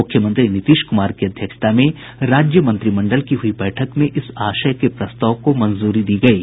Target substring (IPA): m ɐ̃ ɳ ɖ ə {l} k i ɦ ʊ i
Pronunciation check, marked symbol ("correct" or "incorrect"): correct